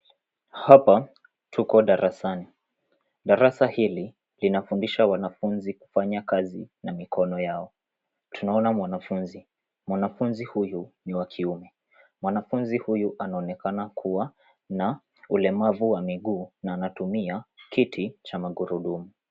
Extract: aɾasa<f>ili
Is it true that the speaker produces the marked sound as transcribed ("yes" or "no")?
no